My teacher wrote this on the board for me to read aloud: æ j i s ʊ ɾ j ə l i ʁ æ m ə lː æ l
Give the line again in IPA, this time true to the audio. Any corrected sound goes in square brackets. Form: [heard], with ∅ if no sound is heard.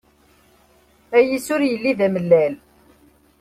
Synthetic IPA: æ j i s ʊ ɾ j ə [lː] i [ð] æ m ə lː æ l